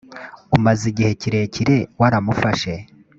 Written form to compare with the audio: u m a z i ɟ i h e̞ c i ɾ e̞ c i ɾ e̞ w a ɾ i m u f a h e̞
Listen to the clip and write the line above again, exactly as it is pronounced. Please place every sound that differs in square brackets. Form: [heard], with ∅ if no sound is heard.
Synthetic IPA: u m a z i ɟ i h e̞ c i ɾ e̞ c i ɾ e̞ w a ɾ [a] m u f a [ʃ] e̞